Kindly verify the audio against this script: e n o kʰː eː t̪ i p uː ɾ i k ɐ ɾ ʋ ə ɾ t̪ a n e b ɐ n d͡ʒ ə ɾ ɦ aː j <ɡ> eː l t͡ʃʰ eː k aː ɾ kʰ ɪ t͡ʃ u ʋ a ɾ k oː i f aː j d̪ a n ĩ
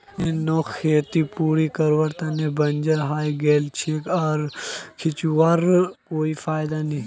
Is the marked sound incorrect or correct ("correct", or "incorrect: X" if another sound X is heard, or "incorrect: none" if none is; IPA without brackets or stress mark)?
correct